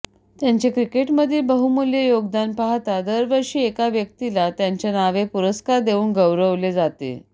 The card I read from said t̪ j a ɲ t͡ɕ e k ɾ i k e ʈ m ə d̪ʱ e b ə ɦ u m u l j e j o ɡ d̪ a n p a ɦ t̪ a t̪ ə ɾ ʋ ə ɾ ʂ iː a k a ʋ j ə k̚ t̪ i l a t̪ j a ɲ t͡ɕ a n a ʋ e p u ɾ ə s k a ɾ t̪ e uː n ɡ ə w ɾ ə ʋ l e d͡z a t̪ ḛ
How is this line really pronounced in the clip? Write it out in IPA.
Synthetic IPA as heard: t̪ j a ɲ t͡ɕ e k ɾ i k e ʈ m ə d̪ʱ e b ə ɦ u m u l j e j o ɡ d̪ a n p a ɦ t̪ a d̪ ə ɾ ʋ ə ɾ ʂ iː e k a ʋ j ə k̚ t̪ i l a t̪ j a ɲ t͡ɕ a n a ʋ e p u ɾ ə s k a ɾ d̪ e uː n ɡ ə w ɾ ə ʋ l e d͡z a t̪ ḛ